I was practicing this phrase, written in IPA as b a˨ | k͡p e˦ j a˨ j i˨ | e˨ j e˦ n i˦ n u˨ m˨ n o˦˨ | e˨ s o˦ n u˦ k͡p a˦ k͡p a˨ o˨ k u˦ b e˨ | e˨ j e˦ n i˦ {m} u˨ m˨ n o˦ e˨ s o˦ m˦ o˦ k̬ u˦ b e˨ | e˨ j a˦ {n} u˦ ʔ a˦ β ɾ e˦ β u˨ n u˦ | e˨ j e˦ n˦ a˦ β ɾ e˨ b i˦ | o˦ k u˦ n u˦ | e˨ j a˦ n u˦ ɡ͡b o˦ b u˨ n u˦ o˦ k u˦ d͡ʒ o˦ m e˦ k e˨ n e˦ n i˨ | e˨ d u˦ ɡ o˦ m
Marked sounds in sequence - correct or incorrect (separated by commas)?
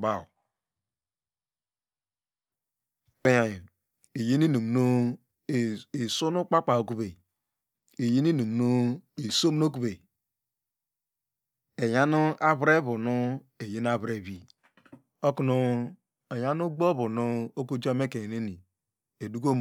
incorrect, correct